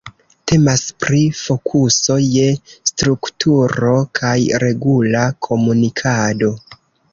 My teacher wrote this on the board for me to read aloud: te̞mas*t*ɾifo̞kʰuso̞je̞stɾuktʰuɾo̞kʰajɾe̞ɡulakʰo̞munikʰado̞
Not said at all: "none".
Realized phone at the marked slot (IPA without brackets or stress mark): p